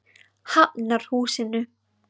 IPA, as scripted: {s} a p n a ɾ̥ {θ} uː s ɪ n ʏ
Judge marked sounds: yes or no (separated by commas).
no, no